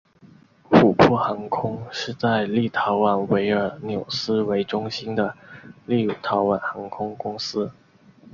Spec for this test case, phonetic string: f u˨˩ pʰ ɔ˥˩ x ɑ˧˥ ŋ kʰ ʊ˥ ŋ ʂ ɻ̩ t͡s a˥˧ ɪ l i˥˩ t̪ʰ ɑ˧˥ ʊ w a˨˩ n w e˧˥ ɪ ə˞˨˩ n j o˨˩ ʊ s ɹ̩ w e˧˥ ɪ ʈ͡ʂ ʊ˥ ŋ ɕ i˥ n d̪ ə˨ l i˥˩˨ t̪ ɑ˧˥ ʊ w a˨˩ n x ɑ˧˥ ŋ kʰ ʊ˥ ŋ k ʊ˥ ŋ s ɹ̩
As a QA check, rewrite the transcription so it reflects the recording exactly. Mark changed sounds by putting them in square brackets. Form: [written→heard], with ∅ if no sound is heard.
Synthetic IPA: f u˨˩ pʰ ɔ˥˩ x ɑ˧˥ ŋ kʰ ʊ˥ ŋ ʂ ɻ̩ t͡s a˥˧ ɪ l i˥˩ t̪ʰ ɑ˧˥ ʊ w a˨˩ n w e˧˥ ɪ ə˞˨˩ n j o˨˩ ʊ s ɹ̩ w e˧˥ ɪ ʈ͡ʂ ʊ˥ ŋ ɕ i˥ n d̪ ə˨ l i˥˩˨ [t̪→t̪ʰ] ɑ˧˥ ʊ w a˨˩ n x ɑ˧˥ ŋ kʰ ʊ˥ ŋ k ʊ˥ ŋ s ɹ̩